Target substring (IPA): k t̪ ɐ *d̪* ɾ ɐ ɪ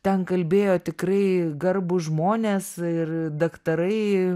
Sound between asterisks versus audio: incorrect: none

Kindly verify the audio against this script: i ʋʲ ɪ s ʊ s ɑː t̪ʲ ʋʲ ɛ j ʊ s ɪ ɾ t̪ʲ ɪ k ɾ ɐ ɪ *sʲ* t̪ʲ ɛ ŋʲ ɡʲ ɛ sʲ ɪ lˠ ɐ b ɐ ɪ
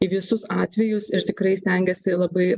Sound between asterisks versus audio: correct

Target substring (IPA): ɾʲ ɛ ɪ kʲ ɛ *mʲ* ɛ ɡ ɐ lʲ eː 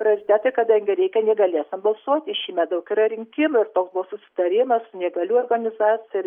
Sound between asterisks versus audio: incorrect: nʲ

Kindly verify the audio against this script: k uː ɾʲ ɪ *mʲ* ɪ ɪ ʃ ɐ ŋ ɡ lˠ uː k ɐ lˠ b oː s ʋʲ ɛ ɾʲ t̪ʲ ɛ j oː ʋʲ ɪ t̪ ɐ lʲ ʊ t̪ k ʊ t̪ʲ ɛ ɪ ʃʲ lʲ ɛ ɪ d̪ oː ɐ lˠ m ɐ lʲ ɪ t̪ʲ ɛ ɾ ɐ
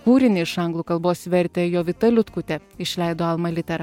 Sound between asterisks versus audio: incorrect: nʲ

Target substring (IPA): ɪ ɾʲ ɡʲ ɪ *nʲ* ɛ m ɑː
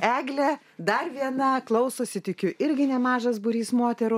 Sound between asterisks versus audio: correct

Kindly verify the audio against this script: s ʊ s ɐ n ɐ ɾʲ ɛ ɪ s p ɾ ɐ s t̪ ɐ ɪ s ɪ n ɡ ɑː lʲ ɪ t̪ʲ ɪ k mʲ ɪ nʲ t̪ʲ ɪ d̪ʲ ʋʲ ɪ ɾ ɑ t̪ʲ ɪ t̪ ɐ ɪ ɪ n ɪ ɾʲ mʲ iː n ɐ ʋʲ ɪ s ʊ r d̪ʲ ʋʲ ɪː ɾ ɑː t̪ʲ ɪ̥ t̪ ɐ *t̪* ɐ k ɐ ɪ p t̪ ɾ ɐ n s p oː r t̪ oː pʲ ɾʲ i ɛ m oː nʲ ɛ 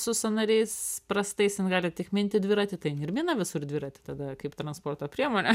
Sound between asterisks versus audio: incorrect: d̪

